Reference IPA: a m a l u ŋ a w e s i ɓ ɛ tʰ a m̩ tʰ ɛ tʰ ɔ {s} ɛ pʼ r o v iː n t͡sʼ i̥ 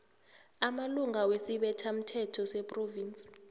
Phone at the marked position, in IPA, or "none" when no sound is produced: s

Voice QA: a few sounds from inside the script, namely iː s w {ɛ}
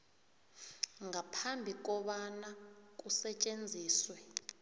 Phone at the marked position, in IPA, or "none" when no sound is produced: ɛ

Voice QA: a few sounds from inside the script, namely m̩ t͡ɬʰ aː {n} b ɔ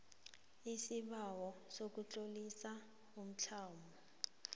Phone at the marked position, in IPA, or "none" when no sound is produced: m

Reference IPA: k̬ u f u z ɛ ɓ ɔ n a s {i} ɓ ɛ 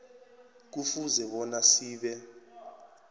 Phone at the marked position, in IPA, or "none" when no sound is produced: iː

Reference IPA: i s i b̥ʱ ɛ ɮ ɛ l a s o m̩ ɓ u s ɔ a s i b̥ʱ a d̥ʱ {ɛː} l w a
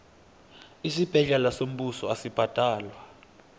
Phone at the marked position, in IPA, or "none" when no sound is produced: aː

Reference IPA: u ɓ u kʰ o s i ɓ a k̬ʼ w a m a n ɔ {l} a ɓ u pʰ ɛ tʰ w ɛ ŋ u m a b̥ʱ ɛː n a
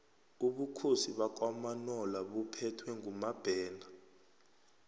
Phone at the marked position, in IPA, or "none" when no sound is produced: l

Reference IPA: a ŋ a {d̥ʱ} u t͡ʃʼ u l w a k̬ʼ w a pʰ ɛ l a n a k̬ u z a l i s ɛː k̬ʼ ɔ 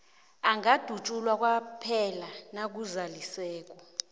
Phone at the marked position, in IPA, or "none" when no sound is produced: d̥ʱ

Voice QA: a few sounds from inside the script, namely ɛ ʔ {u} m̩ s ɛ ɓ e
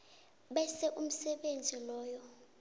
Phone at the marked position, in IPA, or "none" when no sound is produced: u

